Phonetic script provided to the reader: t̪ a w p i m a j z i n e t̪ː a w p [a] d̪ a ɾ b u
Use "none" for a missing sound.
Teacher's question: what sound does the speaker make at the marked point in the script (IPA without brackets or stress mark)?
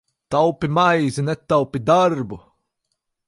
i